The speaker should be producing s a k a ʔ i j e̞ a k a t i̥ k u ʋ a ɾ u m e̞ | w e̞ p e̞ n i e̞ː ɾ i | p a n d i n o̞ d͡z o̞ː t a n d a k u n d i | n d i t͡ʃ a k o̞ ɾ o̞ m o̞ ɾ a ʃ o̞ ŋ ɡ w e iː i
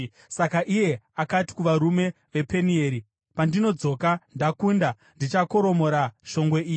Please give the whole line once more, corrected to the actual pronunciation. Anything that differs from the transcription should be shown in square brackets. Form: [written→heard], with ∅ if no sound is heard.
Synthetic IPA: s a k a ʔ i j e̞ a k a t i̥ k u ʋ a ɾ u m e̞ | [w→ʋ] e̞ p e̞ n i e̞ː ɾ i | p a n d i n o̞ d͡z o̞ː [t→k] a n d a k u n d [i→a] | n d i t͡ʃ a k o̞ ɾ o̞ m o̞ ɾ a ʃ o̞ ŋ ɡ w e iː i